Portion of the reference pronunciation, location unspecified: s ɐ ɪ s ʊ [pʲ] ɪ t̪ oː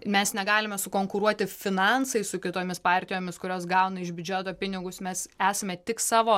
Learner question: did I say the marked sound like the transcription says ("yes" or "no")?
no